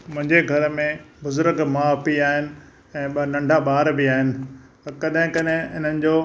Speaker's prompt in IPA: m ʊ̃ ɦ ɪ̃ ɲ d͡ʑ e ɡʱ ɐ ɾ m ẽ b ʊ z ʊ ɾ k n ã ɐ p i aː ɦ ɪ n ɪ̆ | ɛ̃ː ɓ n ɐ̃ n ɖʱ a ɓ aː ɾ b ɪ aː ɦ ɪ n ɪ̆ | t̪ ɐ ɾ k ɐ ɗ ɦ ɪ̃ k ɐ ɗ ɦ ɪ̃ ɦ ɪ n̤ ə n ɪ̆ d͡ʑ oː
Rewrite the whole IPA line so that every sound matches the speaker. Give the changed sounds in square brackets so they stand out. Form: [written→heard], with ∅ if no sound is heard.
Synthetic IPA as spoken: m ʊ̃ ɦ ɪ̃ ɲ d͡ʑ e ɡʱ ɐ ɾ m ẽ b ʊ z ʊ ɾ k [n→m] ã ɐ p i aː ɦ ɪ n ɪ̆ | ɛ̃ː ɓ n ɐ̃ [n→ɳ] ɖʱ a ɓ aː ɾ b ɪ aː ɦ ɪ n ɪ̆ | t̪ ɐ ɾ k ɐ ɗ ɦ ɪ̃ k ɐ ɗ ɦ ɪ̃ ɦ ɪ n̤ ə n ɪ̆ d͡ʑ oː